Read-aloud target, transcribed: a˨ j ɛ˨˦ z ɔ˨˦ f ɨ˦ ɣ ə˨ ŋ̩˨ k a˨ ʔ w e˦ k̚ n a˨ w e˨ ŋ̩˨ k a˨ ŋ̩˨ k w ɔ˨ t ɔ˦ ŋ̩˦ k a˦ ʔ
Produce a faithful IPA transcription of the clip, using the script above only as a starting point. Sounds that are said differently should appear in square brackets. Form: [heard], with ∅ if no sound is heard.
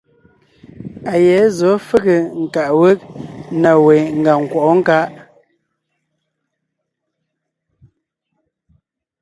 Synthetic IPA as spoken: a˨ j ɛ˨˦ z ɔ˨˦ f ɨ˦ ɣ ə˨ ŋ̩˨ k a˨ ʔ w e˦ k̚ n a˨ w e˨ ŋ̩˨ [ɡ] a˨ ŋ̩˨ k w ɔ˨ [ʔ] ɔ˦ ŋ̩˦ k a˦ ʔ